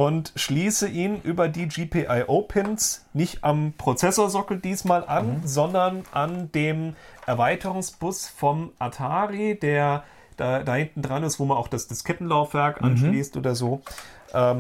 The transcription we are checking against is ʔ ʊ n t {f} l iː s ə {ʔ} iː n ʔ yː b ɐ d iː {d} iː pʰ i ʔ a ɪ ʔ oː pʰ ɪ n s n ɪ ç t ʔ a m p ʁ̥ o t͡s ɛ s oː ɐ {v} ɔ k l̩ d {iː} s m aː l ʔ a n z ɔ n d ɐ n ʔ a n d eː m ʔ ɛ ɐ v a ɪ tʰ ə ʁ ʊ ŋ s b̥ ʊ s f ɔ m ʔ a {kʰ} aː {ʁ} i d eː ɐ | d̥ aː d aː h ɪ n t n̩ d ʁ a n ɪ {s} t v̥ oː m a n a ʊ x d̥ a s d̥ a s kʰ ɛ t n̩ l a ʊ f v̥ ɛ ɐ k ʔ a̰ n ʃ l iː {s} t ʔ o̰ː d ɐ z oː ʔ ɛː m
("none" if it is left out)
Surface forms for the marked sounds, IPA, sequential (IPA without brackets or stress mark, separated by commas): ʃ, ʔ, d͡ʒ, z, iː, tʰ, ʁ, s, s